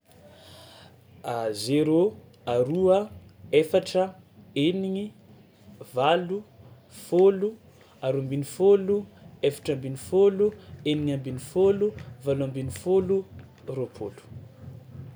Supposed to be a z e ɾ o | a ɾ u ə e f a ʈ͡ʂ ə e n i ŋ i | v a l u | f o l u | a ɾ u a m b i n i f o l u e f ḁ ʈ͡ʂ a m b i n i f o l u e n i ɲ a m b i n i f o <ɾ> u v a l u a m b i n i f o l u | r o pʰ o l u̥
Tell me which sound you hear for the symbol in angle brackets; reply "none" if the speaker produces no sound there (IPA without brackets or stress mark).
l